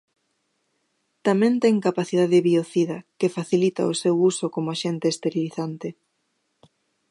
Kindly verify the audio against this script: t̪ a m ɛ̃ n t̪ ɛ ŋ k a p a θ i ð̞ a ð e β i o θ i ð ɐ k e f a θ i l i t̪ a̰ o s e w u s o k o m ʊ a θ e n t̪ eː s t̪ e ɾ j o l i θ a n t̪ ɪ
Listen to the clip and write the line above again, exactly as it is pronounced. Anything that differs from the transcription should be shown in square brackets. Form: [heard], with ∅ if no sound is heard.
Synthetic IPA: t̪ a m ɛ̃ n t̪ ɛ ŋ k a p a θ i ð̞ a ð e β i o θ i ð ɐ k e f a θ i l i t̪ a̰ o s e w u s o k o m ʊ a [ʃ] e n t̪ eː s t̪ e ɾ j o l i θ a n t̪ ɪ